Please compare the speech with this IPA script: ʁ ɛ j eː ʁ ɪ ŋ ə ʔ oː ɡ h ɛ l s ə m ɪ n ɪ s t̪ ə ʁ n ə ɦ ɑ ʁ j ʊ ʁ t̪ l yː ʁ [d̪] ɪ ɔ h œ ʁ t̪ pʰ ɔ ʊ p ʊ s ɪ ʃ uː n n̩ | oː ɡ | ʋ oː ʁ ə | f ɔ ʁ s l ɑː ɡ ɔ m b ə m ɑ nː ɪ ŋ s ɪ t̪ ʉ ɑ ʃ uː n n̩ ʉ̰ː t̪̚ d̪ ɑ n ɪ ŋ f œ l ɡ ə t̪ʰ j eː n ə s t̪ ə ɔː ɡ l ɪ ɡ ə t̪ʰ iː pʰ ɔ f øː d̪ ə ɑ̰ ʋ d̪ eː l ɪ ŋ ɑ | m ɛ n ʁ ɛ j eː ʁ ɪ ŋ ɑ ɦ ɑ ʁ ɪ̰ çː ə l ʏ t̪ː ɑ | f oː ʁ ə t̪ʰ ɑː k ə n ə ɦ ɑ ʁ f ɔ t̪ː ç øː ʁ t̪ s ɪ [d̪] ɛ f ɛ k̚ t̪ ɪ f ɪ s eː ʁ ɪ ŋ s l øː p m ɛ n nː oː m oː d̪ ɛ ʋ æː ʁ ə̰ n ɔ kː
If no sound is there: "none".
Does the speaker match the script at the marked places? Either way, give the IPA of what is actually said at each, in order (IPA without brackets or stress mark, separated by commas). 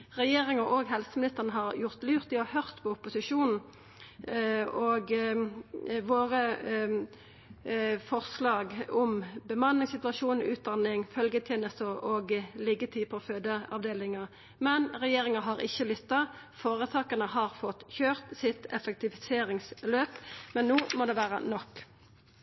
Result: t̪, t̪